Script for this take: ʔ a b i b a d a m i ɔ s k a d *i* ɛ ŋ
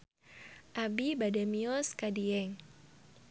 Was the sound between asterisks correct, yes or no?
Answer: yes